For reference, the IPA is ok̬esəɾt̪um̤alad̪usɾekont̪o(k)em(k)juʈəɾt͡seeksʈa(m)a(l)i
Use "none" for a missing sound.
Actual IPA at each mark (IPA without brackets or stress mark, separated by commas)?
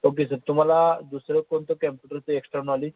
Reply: k, p, n, l